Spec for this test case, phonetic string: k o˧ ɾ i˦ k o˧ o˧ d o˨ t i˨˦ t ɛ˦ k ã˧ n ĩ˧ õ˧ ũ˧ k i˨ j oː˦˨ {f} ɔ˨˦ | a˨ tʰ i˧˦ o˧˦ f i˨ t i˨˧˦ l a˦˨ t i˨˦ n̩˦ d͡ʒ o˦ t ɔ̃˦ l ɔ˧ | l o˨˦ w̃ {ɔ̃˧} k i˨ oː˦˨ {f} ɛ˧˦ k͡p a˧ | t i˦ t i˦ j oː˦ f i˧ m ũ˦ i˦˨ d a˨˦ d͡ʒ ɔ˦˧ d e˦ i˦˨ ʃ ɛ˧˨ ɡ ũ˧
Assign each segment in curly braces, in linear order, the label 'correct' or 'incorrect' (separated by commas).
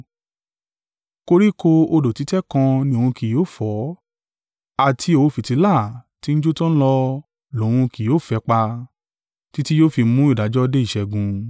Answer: correct, incorrect, correct